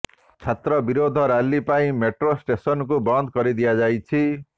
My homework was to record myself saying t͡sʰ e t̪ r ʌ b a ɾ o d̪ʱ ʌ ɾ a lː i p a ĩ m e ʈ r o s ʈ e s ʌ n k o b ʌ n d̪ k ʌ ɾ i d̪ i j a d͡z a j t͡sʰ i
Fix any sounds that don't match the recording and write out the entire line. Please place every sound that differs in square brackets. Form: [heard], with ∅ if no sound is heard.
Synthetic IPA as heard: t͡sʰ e t̪ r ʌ b [i] ɾ o d̪ʱ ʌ ɾ a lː i p a ĩ m e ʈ r o s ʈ e s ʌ n k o b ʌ n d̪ k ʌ ɾ i d̪ i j a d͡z a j t͡sʰ i